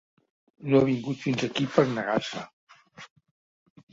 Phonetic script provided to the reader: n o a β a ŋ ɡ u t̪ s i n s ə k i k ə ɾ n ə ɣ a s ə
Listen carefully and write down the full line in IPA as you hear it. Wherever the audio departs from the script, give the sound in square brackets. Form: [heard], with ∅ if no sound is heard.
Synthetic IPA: n o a β [i] ŋ ɡ u t̪ [f] i n [z] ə k i [p] ə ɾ n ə ɣ a s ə